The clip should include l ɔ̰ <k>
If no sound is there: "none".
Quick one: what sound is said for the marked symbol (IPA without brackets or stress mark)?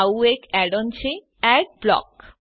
k